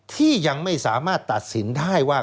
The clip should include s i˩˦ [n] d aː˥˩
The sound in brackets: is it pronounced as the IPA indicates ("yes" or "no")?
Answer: yes